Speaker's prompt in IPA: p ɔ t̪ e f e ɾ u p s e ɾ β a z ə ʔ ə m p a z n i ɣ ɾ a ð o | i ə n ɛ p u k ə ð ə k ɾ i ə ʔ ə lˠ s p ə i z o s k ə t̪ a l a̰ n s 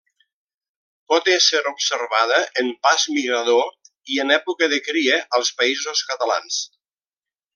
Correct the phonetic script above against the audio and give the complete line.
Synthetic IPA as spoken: p ɔ t̪ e s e ɾ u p s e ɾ β a ð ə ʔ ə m p a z m i ɣ ɾ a ð o | i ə n ɛ p u k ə ð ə k ɾ i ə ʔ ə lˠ s p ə i z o s k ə t̪ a l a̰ n s

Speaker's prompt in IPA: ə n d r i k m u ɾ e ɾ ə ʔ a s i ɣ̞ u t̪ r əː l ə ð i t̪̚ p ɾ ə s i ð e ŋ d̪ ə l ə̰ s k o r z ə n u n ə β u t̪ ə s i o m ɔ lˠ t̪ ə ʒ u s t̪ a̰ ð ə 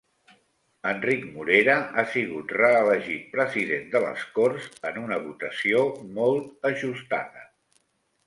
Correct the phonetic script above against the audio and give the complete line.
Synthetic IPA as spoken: ə n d r i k m u ɾ e ɾ ə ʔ a s i ɣ̞ u t̪ r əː l ə ʒ i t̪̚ p ɾ ə z i ð e n d̪ ə l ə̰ s k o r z ə n u n ə β u t̪ ə s i o m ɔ lˠ t̪ ə ʒ u s t̪ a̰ ð ə

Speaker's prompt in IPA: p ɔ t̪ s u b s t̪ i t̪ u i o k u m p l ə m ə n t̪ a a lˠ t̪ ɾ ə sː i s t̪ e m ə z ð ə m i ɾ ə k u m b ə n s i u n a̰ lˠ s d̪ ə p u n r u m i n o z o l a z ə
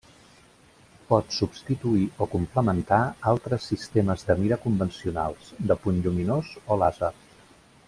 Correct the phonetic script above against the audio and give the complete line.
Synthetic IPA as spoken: p ɔ t̪ s u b s t̪ i t̪ u i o k u m p l ə m ə n t̪ a a lˠ t̪ ɾ ə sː i s t̪ e m ə z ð ə m i ɾ ə k u m b ə n s i u n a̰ lˠ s d̪ ə p u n ʎ u m i n o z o l a z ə

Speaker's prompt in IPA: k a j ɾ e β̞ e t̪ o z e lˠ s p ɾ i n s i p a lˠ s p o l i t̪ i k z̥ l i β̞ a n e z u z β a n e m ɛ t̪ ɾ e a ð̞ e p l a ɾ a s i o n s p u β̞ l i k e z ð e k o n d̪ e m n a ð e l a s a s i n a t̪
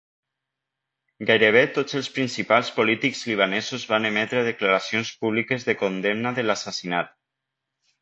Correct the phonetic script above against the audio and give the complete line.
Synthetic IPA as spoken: ɡ a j ɾ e β̞ e t̪ o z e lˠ s p ɾ i n s i p a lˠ s p o l i t̪ i k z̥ l i β̞ a n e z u z β a n e m ɛ t̪ ɾ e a ð̞ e k l a ɾ a s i o n s p u β̞ l i k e z ð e k o n d̪ e m n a ð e l a s a s i n a t̪

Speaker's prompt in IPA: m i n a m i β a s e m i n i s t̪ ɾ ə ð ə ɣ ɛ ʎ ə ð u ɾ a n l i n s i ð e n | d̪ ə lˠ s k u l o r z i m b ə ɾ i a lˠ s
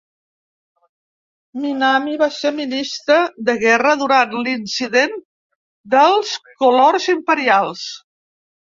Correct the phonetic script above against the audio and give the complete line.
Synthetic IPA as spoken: m i n a m i β a s e m i n i s t̪ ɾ ə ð ə ɣ ɛ r ə ð u ɾ a n l i n s i ð e n | d̪ ə lˠ s k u l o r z i m p ə ɾ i a lˠ s

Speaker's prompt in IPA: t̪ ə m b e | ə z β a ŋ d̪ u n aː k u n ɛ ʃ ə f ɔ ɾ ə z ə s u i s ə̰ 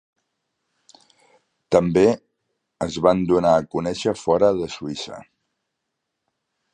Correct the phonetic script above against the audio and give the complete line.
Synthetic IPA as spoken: t̪ ə m b e | ə z β a n d̪ u n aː k u n ɛ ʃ ə f ɔ ɾ ə ð ə s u i s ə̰

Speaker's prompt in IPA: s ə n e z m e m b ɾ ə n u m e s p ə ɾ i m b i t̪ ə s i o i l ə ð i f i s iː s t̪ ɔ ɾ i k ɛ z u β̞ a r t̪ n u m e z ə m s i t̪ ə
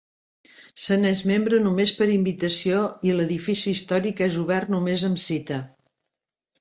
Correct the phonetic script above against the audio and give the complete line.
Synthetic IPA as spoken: s ə n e z m e m b ɾ ə n u m e s p ə ɾ i m b i t̪ ə s i o i l ə ð i f i s iː s t̪ ɔ ɾ i k ɛ z u β̞ ɛ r t̪ n u m e z ə m s i t̪ ə

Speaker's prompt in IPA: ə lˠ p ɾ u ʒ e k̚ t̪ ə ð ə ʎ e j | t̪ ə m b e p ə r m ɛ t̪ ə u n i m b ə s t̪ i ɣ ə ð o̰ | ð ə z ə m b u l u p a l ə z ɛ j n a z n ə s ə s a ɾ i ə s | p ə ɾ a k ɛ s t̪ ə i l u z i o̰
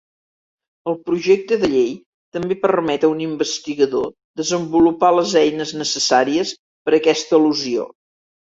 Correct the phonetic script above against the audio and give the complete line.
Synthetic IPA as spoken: ə lˠ p ɾ u ʒ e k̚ t̪ ə ð ə ʎ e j | t̪ ə m b e p ə r m ɛ t̪ ə u n i m b ə s t̪ i ɣ ə ð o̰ | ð ə z ə m b u l u p a l ə z ɛ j n ə z n ə s ə s a ɾ i ə s | p ə ɾ ə k ɛ s t̪ ə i l u z i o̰

